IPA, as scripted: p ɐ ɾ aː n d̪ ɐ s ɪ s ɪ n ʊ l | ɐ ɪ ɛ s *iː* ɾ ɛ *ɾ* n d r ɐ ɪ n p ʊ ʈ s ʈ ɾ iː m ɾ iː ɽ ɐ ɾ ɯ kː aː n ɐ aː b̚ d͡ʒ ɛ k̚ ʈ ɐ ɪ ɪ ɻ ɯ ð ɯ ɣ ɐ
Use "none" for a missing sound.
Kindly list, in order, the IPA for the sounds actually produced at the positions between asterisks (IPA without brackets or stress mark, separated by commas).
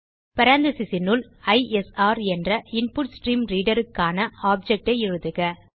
aː, none